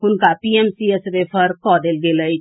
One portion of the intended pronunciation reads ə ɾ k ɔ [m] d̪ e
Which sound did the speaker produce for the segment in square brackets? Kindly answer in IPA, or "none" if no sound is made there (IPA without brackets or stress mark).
none